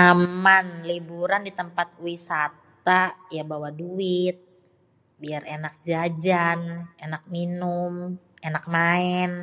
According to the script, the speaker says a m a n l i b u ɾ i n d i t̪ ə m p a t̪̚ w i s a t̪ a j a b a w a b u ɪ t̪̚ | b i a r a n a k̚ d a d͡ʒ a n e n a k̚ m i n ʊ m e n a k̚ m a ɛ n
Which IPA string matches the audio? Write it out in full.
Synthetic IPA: a m a n l i b u ɾ a n d i t̪ ə m p a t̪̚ w i s a t̪ a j a b a w a d u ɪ t̪̚ | b i a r e n a k̚ d͡ʒ a d͡ʒ a n e n a k̚ m i n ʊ m e n a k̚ m a ɛ n